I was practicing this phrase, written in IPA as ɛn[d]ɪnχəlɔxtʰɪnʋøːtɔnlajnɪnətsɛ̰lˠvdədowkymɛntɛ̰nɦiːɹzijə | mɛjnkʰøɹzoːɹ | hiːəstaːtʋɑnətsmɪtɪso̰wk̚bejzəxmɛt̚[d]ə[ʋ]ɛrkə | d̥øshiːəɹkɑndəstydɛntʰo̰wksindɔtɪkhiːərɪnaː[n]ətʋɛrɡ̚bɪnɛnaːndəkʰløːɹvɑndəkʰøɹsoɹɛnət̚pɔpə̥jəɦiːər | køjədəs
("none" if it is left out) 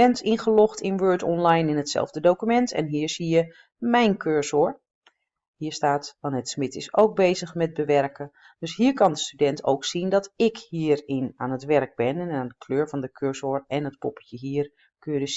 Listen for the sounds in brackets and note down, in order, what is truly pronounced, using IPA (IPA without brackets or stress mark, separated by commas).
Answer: t, b, ʋ, n